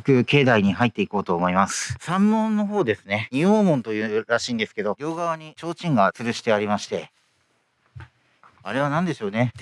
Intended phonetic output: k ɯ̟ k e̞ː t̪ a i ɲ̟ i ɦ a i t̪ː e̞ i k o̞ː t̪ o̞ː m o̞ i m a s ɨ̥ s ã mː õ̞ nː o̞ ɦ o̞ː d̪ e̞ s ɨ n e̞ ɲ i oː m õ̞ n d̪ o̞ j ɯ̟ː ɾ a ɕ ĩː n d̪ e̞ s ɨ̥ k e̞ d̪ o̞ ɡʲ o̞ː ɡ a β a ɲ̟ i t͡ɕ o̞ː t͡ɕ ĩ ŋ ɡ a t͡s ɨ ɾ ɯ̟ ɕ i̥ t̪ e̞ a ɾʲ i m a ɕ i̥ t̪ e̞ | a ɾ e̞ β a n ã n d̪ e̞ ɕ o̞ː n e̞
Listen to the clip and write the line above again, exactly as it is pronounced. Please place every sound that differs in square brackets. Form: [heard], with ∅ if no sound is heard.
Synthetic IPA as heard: k ɯ̟ k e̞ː [d̪] a i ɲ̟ i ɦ a i t̪ː e̞ i k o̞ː t̪ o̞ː m o̞ i m a s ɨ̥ s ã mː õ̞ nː o̞ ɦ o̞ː d̪ e̞ s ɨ n e̞ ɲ i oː m õ̞ n [t̪] o̞ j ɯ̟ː ɾ a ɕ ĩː n d̪ e̞ s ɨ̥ k e̞ d̪ o̞ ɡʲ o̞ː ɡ a β a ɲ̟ i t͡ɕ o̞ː t͡ɕ ĩ ŋ ɡ a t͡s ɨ ɾ ɯ̟ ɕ i̥ t̪ e̞ a ɾʲ i m a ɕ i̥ t̪ e̞ | a ɾ e̞ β a n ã n d̪ e̞ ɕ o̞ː n e̞

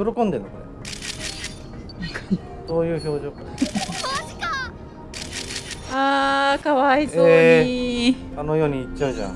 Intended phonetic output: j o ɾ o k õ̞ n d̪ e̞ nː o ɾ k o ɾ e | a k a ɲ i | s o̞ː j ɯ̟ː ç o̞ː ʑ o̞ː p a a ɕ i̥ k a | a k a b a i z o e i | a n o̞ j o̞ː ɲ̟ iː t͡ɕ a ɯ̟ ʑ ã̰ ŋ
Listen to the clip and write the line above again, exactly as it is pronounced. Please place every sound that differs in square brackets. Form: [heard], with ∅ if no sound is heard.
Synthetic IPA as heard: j o ɾ o k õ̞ n d̪ e̞ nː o [∅] k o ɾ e | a k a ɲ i | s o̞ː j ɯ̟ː ç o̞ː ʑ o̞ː [k] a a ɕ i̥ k a | a k a [β] a i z o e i | a n o̞ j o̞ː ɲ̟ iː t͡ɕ a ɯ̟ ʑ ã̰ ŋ

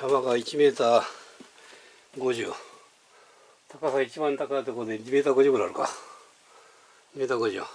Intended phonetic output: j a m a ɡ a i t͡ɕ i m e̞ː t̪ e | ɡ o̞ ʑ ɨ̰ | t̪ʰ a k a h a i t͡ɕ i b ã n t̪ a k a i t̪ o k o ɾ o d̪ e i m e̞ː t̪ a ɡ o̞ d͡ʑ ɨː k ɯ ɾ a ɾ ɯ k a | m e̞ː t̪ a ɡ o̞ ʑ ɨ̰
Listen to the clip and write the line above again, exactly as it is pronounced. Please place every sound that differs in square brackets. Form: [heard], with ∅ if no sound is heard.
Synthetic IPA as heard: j a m a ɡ a i t͡ɕ i m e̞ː t̪ [a] | ɡ o̞ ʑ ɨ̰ | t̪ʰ a k a [s] a i t͡ɕ i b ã n t̪ a k a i t̪ o k o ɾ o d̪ e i m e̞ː t̪ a ɡ o̞ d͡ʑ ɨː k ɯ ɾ a ɾ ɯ k a | m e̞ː t̪ a ɡ o̞ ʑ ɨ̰

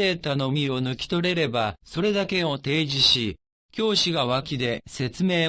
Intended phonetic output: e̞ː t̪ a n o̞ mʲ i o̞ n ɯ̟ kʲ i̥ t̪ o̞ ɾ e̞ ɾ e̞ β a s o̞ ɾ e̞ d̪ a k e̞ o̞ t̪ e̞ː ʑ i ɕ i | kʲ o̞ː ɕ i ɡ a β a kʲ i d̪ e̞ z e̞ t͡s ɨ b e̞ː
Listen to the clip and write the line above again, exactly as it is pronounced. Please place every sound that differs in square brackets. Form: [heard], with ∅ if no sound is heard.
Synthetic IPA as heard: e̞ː t̪ a n o̞ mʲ i o̞ n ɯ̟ kʲ i̥ t̪ o̞ ɾ e̞ ɾ e̞ [b] a s o̞ ɾ e̞ d̪ a k e̞ o̞ t̪ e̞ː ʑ i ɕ i | kʲ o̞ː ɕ i ɡ a β a kʲ i d̪ e̞ [s] e̞ t͡s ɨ [m] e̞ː

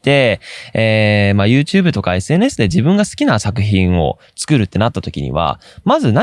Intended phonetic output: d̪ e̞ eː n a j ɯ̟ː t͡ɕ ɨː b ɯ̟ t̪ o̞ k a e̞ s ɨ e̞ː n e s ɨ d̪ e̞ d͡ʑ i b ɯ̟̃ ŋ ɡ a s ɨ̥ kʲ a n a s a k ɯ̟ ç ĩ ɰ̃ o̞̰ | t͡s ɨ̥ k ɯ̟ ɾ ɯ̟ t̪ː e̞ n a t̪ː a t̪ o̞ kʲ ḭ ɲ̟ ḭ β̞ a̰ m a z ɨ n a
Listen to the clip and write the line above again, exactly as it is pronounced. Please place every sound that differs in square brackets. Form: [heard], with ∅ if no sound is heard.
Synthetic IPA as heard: [t̪] e̞ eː [m] a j ɯ̟ː t͡ɕ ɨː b ɯ̟ t̪ o̞ k a e̞ s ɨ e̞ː n e s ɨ d̪ e̞ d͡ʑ i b ɯ̟̃ ŋ ɡ a s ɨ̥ kʲ [i] n a s a k ɯ̟ ç ĩ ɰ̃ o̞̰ | t͡s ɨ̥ k ɯ̟ ɾ ɯ̟ t̪ː e̞ n a t̪ː a t̪ o̞ kʲ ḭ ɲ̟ ḭ β̞ a̰ m a z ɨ n a

